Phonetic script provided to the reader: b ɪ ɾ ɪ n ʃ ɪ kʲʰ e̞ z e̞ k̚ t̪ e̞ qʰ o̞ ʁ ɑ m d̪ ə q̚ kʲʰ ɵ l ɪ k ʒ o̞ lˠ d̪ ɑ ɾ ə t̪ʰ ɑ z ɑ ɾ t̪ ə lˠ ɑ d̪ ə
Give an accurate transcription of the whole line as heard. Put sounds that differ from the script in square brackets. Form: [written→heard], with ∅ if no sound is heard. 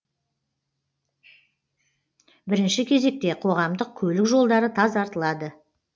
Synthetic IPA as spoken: b ɪ ɾ ɪ n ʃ ɪ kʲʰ e̞ z e̞ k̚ t̪ e̞ qʰ o̞ ʁ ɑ m d̪ ə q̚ kʲʰ ɵ l ɪ k ʒ o̞ lˠ d̪ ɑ ɾ ə t̪ʰ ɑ z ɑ ɾ t̪ ə lˠ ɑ d̪ ə